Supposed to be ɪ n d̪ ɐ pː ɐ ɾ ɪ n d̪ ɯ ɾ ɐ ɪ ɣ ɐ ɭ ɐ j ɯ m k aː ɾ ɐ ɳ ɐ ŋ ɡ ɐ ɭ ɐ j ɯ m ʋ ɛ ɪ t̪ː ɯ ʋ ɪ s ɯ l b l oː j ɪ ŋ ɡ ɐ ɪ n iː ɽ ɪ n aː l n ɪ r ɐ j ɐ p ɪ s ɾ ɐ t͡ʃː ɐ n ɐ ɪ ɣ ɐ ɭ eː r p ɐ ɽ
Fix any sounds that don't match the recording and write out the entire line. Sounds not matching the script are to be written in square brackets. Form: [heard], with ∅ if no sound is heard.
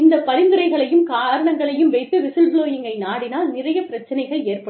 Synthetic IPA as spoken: ɪ n d̪ ɐ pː ɐ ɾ ɪ n d̪ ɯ ɾ ɐ ɪ ɣ ɐ ɭ ɐ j ɯ m k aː ɾ ɐ ɳ ɐ ŋ ɡ ɐ ɭ ɐ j ɯ m ʋ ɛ ɪ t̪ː ɯ ʋ ɪ s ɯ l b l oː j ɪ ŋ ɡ ɐ ɪ n [aː] ɽ ɪ n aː l n ɪ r ɐ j ɐ p ɪ [∅] ɾ ɐ t͡ʃː ɐ n ɐ ɪ ɣ ɐ ɭ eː r p ɐ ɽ